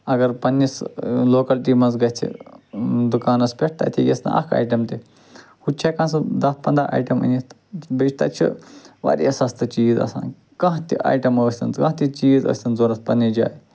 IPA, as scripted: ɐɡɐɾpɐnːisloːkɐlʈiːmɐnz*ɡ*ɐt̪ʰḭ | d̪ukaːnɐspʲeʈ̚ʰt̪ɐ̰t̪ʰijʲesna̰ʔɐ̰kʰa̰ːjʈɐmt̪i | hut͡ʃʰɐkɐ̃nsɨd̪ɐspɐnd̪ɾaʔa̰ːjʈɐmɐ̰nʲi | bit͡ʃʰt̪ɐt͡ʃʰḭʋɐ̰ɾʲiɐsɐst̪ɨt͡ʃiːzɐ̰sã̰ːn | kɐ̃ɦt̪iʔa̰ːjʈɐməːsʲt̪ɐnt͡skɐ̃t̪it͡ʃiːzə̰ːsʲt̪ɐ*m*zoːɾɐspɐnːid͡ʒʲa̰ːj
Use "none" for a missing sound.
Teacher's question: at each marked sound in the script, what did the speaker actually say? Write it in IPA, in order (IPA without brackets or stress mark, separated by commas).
ɡ, n